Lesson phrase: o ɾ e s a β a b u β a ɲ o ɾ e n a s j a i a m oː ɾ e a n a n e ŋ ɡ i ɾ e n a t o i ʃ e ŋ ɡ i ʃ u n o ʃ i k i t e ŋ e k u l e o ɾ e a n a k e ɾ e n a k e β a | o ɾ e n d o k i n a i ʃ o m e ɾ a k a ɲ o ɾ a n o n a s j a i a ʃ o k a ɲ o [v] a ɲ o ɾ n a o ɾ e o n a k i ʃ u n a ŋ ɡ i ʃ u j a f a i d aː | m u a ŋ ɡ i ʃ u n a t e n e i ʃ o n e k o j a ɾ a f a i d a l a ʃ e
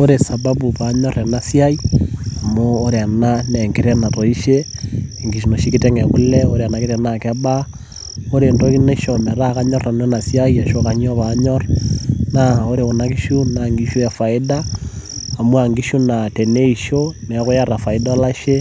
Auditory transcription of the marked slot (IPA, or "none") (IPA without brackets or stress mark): β